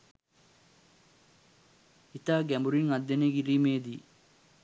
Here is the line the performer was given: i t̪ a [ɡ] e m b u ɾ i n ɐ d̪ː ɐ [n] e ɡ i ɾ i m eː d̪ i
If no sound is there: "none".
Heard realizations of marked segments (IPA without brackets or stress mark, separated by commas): ɡ, n